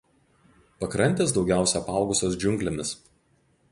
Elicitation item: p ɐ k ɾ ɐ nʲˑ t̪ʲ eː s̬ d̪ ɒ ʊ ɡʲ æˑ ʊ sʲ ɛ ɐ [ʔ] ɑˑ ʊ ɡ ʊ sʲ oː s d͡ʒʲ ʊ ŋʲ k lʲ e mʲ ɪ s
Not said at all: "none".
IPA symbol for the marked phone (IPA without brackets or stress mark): p